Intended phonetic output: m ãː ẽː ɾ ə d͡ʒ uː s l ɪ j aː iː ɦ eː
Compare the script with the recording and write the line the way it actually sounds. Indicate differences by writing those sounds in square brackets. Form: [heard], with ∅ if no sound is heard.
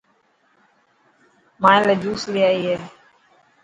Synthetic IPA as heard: m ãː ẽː [l] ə d͡ʒ uː s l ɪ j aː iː ɦ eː